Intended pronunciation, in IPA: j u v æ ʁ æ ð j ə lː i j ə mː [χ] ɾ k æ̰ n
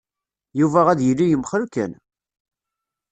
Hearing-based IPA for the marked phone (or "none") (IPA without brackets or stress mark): χ